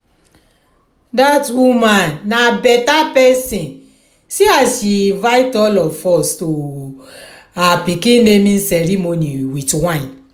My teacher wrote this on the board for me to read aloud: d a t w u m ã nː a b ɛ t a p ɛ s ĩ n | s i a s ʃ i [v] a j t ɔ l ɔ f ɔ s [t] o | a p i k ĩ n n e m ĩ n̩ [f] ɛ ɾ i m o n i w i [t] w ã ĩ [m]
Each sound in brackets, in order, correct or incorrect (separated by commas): correct, correct, incorrect, correct, incorrect